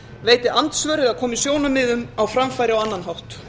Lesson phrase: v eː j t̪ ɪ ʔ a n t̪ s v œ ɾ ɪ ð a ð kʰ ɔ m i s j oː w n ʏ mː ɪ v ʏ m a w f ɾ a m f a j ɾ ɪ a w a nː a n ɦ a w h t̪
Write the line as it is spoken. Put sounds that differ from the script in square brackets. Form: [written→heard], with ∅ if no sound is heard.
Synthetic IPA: v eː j t̪ ɪ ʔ a n t̪ s v œ ɾ ɪ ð a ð kʰ [ɔ→ɔː] m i s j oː w n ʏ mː ɪ [v→ð] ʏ m a w f ɾ a m f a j ɾ ɪ a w a nː a n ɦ a w h t̪